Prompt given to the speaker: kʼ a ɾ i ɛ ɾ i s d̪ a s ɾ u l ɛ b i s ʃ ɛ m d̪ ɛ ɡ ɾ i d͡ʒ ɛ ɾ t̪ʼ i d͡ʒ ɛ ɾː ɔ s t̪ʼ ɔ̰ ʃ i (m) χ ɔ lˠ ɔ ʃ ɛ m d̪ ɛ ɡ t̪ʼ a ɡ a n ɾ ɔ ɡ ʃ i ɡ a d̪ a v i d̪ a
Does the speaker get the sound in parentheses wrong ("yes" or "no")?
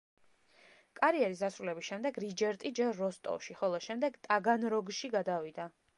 yes